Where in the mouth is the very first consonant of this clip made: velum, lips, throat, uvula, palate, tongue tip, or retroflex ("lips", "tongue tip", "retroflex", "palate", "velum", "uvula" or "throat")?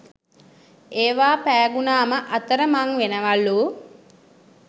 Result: lips